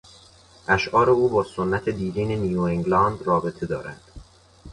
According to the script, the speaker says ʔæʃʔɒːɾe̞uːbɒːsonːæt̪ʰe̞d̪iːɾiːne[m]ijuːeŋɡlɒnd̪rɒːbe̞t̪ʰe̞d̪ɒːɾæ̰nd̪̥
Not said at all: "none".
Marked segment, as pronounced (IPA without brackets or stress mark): n